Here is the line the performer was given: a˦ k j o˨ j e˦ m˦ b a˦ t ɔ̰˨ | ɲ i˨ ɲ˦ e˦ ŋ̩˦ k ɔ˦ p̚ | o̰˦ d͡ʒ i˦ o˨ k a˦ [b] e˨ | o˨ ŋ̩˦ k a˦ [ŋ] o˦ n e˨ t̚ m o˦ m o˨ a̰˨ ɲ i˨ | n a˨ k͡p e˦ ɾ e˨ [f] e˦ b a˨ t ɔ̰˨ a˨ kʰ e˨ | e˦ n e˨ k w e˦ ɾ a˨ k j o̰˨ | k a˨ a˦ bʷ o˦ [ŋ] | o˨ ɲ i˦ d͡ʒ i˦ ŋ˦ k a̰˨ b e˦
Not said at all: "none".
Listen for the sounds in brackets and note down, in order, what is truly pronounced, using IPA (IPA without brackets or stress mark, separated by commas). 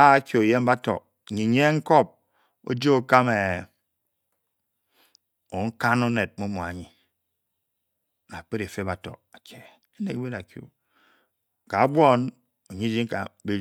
m, n, f, n